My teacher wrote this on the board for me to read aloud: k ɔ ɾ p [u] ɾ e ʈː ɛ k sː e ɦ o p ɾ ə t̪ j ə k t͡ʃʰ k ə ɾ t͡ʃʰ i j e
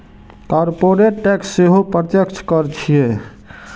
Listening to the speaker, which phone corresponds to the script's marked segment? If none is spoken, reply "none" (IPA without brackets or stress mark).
o